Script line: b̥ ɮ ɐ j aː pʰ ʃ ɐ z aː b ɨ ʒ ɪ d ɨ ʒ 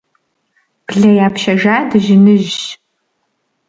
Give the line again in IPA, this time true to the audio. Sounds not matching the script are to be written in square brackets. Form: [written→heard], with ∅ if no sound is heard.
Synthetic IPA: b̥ ɮ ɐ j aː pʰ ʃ ɐ [z→ʒ] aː [b→d] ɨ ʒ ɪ [d→n] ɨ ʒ